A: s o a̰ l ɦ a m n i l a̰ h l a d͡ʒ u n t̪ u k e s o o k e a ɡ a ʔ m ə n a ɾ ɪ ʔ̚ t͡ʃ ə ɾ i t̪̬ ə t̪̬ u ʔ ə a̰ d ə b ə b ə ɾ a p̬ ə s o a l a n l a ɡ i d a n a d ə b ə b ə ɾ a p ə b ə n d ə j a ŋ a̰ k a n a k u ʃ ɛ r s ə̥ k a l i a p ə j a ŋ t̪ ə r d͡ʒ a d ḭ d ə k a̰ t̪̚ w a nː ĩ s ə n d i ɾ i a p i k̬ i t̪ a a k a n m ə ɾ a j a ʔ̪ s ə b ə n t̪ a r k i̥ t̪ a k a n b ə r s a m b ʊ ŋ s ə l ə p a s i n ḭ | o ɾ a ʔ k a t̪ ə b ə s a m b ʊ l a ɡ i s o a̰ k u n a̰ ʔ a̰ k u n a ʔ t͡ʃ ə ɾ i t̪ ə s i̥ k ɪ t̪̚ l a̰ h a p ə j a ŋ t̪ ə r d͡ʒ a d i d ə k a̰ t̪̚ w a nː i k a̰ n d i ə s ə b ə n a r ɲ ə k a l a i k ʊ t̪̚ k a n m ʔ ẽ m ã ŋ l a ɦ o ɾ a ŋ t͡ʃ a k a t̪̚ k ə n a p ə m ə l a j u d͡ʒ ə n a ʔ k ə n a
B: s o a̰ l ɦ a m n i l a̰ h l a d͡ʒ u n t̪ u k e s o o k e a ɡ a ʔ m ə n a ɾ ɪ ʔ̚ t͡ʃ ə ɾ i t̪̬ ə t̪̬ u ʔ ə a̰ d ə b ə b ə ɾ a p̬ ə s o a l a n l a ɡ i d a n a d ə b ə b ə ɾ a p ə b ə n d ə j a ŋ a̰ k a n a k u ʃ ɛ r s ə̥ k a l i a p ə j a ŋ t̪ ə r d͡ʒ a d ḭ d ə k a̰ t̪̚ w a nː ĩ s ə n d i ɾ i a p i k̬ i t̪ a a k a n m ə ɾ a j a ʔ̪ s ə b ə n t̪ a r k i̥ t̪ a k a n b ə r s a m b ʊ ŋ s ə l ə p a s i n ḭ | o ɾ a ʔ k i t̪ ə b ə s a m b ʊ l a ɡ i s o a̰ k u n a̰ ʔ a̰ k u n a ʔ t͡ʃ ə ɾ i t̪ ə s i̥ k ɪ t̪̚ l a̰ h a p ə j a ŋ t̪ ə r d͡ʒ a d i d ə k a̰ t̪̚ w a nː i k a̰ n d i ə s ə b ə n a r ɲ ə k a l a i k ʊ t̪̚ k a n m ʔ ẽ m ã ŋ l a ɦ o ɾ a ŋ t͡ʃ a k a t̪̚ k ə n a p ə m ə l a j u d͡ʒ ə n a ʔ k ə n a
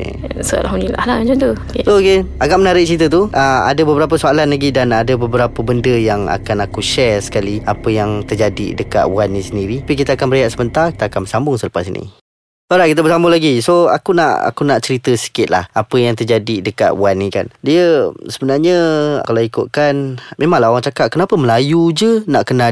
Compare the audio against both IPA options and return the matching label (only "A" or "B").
B